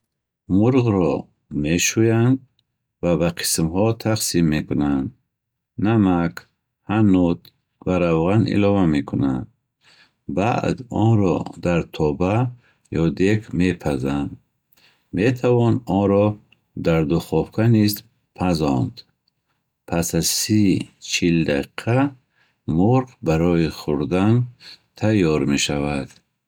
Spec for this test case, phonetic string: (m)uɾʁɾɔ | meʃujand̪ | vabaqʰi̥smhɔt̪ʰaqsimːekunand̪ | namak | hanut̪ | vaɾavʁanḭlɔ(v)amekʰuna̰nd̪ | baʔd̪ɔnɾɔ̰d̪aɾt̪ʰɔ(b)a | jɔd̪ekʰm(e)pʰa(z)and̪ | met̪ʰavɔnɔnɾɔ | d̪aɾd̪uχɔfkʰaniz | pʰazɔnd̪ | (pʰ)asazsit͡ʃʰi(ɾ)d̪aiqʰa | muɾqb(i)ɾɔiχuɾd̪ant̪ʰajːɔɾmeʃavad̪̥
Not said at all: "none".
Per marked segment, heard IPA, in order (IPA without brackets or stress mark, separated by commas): m, v, b, e, z, pʰ, l, a